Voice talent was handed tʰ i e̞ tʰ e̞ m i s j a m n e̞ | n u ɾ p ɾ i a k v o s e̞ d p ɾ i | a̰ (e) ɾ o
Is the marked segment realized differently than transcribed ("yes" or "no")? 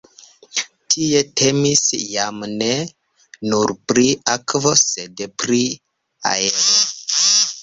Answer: no